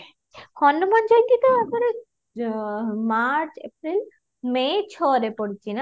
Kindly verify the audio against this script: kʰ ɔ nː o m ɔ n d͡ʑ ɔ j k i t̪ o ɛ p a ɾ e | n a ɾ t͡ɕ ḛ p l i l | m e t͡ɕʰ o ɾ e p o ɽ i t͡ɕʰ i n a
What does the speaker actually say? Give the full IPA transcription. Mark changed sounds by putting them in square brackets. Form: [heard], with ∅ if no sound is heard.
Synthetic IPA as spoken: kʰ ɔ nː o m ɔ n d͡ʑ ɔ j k i t̪ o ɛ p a ɾ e | [m] a ɾ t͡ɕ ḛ p [ɾ] i l | m e t͡ɕʰ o ɾ e p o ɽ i t͡ɕʰ i n a

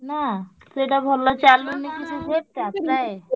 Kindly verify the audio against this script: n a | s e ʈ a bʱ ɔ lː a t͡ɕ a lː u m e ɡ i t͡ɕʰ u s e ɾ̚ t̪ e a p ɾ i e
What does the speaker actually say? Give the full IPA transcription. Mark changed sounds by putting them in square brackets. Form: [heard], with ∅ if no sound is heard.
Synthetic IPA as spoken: n a | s e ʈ a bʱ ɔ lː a t͡ɕ a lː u [n] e [k] i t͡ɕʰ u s e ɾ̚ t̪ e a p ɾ [a] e

